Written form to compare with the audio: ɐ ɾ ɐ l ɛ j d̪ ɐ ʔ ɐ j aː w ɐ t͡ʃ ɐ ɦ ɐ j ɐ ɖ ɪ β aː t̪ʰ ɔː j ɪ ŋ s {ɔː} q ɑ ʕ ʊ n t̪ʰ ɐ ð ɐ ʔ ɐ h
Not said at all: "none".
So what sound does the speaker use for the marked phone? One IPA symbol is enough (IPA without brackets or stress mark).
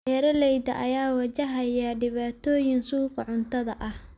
uː